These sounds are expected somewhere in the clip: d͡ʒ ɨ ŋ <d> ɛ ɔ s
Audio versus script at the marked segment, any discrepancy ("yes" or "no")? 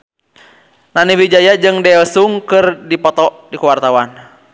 no